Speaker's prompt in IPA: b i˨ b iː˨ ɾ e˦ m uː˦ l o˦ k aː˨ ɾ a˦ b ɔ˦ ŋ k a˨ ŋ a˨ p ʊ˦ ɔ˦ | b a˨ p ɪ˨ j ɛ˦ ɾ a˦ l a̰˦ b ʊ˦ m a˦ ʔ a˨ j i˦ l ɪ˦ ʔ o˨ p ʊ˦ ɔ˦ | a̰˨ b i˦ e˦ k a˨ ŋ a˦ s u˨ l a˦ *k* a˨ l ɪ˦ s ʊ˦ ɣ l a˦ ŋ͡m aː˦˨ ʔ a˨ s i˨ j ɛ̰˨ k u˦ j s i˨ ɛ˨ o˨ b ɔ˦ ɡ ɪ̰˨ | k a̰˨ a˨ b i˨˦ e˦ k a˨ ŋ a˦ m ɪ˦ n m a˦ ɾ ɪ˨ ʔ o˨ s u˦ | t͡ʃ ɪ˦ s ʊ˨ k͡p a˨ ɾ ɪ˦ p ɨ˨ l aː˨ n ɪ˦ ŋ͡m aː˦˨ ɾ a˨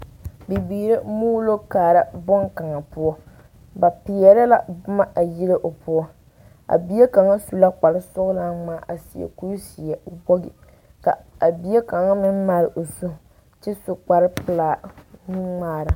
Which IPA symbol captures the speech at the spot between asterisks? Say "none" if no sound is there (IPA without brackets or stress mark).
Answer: k͡p